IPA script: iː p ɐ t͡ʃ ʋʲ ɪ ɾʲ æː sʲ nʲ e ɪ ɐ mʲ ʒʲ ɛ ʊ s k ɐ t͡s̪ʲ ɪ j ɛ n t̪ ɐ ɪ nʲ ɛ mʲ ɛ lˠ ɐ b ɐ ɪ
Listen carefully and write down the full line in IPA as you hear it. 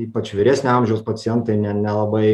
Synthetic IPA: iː p ɐ t͡ʃ ʋʲ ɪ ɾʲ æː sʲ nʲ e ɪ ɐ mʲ ʒʲ ɛ ʊ s p ɐ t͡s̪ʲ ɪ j ɛ n t̪ ɐ ɪ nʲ ɛ nʲ ɛ lˠ ɐ b ɐ ɪ